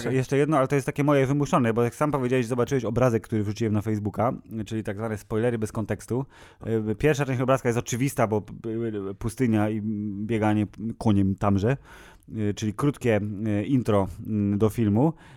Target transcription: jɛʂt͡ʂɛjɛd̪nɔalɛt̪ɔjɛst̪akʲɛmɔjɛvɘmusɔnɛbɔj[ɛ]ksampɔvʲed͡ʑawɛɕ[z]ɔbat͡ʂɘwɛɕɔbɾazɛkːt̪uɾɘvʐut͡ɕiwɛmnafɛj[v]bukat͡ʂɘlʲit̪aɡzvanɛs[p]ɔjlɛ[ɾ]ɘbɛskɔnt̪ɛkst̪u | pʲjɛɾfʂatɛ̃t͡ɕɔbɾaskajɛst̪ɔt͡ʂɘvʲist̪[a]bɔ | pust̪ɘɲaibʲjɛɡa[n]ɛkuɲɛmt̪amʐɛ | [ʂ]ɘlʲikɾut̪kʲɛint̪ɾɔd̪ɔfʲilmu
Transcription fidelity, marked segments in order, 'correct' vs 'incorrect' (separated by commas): incorrect, correct, incorrect, correct, correct, correct, incorrect, incorrect